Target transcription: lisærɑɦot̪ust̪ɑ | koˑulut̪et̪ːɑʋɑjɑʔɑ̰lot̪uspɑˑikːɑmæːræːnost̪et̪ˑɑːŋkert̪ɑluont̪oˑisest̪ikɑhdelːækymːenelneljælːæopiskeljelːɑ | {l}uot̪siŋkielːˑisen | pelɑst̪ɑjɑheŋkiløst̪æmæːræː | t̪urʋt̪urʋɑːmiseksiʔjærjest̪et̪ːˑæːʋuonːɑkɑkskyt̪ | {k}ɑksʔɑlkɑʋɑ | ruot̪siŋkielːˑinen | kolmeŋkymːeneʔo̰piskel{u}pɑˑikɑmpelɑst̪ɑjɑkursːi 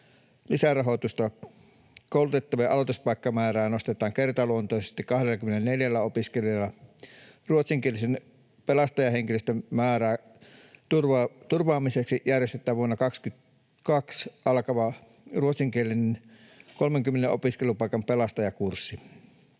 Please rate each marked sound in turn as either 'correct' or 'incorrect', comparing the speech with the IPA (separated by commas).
incorrect, correct, correct